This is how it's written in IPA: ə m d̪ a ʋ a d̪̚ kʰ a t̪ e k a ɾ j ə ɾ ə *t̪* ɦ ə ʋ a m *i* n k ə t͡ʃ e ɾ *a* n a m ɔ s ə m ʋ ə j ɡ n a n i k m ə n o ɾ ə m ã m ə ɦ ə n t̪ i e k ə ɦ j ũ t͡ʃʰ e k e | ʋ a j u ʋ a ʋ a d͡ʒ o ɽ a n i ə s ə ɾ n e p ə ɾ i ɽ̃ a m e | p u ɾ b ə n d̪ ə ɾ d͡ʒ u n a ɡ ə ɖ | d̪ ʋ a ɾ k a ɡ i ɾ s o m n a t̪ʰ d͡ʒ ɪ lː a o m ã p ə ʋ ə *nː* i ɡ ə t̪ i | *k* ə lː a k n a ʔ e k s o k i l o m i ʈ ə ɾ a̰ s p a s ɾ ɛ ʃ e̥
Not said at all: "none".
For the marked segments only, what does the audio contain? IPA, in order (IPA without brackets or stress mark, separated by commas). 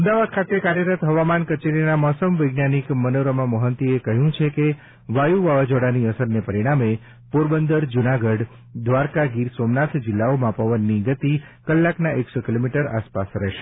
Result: t̪, a, i, nː, k